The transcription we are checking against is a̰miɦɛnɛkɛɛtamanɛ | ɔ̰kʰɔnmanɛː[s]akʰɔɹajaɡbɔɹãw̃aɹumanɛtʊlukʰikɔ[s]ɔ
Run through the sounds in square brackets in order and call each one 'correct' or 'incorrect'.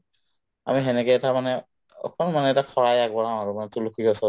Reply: incorrect: t, correct

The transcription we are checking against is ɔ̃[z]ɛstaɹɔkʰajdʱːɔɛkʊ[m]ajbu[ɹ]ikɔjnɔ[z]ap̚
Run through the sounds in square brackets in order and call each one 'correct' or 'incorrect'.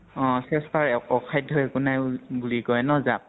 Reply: incorrect: s, incorrect: n, incorrect: l, correct

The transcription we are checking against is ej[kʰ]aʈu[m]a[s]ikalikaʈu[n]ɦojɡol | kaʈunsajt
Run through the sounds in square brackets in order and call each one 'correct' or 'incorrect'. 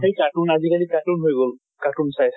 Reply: incorrect: k, incorrect: n, incorrect: z, correct

